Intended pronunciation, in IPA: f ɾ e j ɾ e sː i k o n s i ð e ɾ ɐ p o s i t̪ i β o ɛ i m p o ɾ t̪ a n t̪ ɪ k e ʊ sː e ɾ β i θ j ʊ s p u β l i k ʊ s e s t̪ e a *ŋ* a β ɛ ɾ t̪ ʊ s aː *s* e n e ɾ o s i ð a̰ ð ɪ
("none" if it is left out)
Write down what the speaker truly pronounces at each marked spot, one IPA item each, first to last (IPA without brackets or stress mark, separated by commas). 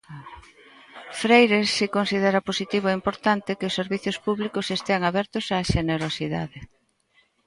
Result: ŋ, ʃ